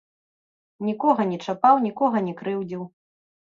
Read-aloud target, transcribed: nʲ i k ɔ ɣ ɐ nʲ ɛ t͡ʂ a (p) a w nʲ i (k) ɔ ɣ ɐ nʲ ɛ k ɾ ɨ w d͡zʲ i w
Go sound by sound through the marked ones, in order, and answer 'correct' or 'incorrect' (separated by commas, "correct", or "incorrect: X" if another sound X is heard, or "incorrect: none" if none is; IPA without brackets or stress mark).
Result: correct, correct